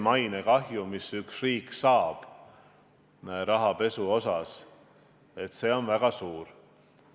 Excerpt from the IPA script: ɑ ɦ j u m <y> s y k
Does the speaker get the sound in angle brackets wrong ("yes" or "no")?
yes